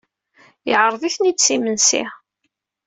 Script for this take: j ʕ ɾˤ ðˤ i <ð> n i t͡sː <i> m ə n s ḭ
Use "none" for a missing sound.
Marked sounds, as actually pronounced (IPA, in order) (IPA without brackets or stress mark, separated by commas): θ, i